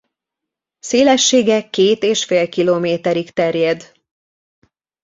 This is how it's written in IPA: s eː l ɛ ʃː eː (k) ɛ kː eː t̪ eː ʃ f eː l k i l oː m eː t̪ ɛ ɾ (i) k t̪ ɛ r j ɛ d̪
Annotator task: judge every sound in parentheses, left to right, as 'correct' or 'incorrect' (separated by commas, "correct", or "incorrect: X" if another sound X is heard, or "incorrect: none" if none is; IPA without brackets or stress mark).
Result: incorrect: ɡ, correct